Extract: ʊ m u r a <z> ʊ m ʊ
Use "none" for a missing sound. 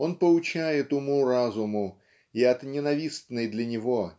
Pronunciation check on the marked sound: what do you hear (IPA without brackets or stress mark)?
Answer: z